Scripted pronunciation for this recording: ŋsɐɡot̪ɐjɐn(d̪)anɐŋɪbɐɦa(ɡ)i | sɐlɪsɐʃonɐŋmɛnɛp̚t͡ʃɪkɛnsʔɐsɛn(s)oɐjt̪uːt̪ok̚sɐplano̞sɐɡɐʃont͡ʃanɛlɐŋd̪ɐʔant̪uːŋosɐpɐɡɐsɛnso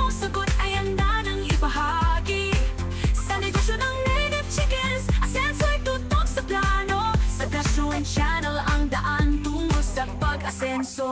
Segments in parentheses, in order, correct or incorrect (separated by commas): correct, correct, correct